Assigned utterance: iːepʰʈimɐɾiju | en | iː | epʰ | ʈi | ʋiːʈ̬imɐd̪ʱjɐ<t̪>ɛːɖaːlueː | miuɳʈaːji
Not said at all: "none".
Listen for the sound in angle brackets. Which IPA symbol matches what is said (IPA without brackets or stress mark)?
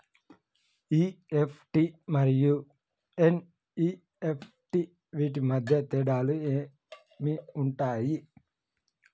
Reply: t̪